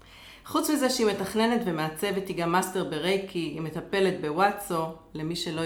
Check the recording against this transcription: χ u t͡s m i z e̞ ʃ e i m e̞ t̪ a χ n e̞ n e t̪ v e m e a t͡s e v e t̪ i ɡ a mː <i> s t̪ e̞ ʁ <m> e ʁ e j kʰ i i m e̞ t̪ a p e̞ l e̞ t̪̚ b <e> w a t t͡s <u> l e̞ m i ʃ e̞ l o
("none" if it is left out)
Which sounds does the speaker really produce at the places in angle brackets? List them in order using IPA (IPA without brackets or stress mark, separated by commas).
a, b, e, o